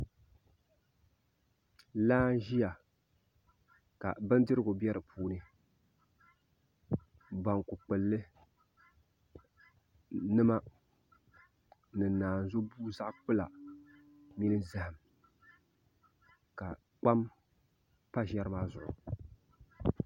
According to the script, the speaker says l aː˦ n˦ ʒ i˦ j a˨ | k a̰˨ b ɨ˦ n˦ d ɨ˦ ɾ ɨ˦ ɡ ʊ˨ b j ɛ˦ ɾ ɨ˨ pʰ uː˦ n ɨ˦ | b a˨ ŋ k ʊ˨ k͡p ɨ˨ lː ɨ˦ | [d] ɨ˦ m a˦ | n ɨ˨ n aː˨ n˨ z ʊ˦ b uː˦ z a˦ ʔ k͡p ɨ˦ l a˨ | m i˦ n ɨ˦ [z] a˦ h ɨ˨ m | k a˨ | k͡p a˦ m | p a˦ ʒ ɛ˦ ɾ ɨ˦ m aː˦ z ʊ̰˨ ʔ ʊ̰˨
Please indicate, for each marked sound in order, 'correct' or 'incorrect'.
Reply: incorrect, correct

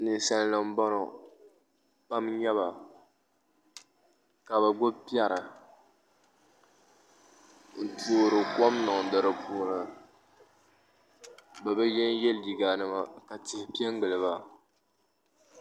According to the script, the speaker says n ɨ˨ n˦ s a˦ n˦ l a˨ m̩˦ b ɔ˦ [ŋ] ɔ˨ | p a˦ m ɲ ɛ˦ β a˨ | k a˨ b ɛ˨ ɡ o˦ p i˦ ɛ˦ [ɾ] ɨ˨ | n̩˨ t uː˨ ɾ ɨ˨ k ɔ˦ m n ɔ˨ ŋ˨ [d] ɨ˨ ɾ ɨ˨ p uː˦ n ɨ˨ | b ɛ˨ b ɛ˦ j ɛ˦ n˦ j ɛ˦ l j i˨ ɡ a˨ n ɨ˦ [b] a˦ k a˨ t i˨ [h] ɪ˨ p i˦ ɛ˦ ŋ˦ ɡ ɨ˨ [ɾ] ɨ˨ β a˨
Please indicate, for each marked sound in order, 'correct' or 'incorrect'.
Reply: incorrect, correct, correct, incorrect, correct, incorrect

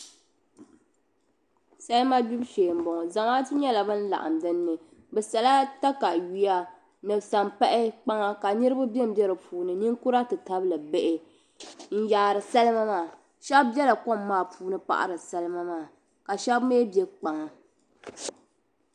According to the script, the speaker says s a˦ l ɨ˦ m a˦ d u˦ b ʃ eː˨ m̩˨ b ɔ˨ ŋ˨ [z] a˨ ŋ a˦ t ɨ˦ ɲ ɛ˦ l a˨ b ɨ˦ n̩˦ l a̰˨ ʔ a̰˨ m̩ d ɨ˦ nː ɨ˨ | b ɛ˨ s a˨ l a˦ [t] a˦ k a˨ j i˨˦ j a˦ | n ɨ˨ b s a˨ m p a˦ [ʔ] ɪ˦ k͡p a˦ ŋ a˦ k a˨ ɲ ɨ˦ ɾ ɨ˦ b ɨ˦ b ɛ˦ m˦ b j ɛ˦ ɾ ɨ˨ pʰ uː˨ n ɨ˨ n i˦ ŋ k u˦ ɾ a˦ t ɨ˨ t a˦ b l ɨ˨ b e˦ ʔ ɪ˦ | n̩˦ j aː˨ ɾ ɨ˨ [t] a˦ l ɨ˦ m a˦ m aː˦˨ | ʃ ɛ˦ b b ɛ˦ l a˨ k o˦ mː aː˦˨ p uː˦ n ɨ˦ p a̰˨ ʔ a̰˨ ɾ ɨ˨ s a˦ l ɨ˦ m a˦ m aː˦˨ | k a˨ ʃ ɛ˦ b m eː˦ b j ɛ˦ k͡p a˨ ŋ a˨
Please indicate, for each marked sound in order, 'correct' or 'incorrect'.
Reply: correct, correct, correct, incorrect

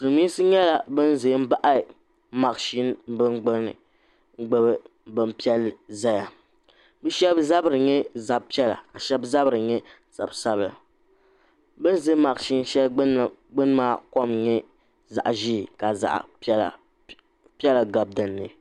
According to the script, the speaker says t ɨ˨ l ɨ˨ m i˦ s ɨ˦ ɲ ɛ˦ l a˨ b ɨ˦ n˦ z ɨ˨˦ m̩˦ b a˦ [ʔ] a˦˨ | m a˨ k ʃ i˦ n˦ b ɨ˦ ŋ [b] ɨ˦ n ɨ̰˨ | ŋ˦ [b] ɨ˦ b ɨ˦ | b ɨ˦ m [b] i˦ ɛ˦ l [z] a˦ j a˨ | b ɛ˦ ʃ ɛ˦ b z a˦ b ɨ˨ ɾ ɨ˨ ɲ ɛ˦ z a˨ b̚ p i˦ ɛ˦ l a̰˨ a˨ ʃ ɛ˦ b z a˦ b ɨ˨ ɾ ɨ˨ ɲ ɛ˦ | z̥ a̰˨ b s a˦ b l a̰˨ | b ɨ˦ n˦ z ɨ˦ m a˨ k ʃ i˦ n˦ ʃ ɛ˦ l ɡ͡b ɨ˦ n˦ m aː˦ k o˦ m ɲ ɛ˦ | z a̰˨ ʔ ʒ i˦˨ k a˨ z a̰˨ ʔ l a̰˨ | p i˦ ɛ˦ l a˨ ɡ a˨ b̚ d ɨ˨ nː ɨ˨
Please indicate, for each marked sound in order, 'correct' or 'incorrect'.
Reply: correct, incorrect, incorrect, incorrect, correct

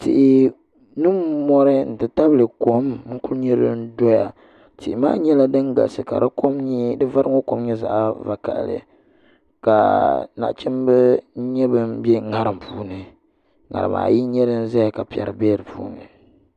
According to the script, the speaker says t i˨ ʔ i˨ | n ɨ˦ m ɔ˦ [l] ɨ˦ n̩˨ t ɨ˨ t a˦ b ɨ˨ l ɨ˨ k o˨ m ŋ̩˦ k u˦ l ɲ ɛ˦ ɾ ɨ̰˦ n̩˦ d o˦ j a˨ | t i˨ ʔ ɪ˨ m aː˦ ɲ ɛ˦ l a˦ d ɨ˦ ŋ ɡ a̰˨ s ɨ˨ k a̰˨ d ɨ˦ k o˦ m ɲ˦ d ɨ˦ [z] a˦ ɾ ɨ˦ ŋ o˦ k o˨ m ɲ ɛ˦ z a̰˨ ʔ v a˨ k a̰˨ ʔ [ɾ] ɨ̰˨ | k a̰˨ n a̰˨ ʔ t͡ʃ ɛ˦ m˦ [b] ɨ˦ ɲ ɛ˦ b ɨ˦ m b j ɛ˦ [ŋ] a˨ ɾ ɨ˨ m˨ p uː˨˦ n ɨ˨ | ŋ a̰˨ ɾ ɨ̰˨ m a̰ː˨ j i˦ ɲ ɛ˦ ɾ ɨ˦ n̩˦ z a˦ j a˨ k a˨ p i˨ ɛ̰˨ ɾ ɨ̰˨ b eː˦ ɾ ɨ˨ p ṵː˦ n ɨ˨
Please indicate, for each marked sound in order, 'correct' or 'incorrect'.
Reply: incorrect, incorrect, incorrect, correct, correct

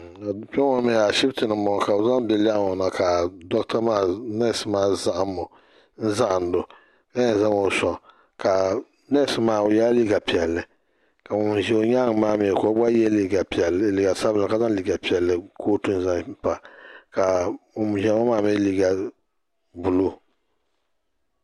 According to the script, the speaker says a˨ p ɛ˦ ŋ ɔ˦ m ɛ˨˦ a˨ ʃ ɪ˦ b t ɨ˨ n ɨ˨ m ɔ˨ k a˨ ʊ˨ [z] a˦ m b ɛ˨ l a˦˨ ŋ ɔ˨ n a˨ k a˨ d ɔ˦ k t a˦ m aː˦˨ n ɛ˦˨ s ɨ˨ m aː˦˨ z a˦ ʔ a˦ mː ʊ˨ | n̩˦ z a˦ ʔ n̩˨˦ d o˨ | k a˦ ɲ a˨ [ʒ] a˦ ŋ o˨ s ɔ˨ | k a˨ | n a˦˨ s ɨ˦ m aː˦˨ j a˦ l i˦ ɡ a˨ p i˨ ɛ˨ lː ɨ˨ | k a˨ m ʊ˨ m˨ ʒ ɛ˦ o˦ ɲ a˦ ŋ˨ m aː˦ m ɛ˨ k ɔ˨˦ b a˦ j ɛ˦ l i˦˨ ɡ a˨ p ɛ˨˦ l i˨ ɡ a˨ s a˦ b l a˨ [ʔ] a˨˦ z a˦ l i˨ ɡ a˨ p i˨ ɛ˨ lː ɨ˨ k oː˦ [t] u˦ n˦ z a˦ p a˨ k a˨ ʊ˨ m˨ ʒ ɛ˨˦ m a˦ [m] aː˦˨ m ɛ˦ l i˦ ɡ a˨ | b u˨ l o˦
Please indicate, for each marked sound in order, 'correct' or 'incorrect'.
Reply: correct, incorrect, incorrect, correct, correct

